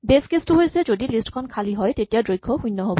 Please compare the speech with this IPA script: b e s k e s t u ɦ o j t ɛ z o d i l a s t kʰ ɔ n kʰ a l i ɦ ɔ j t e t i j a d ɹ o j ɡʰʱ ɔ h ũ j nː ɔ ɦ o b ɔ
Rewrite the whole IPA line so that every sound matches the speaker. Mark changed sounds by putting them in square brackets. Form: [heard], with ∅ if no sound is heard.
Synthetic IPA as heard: b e s k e s t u ɦ o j [s] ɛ z o d i l [i] s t kʰ ɔ n kʰ a l i ɦ ɔ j t e t i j a d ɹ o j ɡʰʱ ɔ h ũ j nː ɔ ɦ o b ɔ